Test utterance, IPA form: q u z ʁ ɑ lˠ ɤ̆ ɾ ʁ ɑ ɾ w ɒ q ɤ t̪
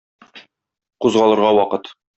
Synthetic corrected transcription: q u z ʁ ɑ lˠ ɤ̆ ɾ ʁ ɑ w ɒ q ɤ t̪